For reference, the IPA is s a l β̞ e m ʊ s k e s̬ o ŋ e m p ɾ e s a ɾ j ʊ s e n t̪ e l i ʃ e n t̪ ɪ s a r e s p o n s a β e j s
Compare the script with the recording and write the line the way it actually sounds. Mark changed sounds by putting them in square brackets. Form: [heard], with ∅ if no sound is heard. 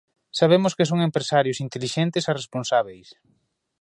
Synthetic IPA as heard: s a [∅] β̞ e m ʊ s k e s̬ o ŋ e m p ɾ e s a ɾ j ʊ s [i] n t̪ e l i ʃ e n t̪ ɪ s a r e s p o n s a β e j s